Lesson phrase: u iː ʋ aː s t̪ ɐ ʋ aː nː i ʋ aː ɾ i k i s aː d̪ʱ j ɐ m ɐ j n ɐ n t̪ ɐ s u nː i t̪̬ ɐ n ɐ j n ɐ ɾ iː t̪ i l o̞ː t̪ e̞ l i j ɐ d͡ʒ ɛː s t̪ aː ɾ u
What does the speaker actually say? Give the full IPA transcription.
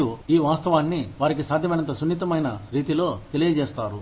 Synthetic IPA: u iː ʋ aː s t̪ ɐ ʋ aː nː i ʋ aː ɾ i k i s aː d̪ʱ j ɐ m ɐ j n ɐ n t̪ ɐ s u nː i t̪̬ ɐ m ɐ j n ɐ ɾ iː t̪ i l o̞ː t̪ e̞ l i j ɐ d͡ʒ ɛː s t̪ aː ɾ u